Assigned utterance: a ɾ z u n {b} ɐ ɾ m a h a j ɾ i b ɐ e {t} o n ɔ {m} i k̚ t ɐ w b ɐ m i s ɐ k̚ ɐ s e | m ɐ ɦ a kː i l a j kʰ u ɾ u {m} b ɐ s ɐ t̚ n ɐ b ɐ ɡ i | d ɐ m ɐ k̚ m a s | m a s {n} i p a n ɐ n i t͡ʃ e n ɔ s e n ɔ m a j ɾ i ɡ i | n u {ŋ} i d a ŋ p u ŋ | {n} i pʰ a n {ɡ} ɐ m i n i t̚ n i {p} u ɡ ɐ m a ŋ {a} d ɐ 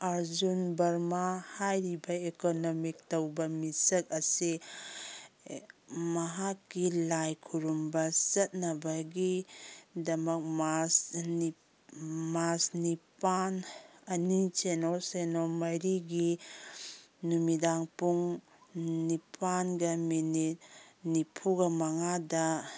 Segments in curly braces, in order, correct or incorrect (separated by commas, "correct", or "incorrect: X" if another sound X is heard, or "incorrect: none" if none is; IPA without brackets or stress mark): correct, incorrect: k, correct, correct, correct, incorrect: m, correct, correct, incorrect: pʰ, correct